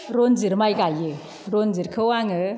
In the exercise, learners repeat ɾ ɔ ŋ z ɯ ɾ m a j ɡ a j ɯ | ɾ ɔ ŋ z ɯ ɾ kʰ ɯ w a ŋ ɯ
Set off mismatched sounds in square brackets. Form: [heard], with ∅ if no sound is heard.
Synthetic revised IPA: ɾ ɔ [n] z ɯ ɾ m a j ɡ a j ɯ | ɾ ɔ [n] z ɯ ɾ kʰ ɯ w a ŋ ɯ